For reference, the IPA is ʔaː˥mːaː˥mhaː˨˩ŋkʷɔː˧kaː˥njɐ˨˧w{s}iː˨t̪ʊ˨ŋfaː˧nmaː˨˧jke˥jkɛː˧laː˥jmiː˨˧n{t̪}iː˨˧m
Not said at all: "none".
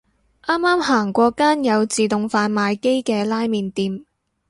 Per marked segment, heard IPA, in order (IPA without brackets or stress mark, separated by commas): t͡s, t̪